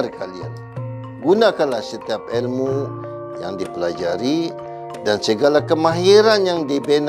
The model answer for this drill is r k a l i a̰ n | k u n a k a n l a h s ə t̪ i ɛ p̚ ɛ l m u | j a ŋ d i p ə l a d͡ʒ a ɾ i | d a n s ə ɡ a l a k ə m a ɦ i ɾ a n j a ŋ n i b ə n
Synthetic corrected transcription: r k a l i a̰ n | ɡ u n a k a n l a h s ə t̪ i a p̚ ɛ l m u | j a ŋ d i p ə l a d͡ʒ a ɾ i | d a n s ə ɡ a l a k ə m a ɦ i ɾ a n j a ŋ d i b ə n